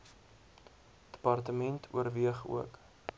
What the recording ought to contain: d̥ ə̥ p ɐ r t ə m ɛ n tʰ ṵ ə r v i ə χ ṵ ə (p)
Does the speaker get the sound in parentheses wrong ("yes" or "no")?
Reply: yes